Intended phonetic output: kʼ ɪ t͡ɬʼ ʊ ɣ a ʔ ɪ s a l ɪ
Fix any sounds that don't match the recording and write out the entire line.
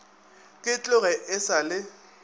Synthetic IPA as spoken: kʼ ɪ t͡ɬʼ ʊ ɣ ɛ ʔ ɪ s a l ɪ